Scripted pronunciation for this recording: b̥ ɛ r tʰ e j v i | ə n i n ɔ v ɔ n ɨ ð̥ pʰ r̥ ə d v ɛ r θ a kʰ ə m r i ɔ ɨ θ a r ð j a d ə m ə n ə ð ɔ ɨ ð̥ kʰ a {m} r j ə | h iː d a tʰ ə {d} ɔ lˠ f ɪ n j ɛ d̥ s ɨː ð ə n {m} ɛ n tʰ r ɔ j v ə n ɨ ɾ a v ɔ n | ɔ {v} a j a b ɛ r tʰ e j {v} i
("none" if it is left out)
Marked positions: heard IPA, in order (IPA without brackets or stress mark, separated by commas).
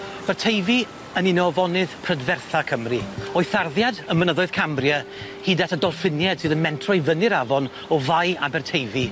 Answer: m, d, m, v, v